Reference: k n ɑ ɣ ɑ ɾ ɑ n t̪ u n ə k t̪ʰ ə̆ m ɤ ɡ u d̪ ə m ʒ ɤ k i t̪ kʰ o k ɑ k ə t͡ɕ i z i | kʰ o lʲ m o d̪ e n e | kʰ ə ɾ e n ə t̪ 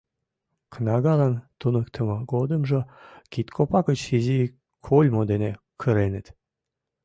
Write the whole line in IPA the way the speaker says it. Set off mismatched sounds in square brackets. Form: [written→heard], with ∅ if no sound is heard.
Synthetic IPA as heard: k n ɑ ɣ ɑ [ɾ→l] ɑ n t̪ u n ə k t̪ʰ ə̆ m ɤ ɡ [u→o] d̪ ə m ʒ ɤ k i t̪ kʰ o [k→p] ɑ k ə t͡ɕ i z i | kʰ o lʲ m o d̪ e n e | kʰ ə ɾ e n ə t̪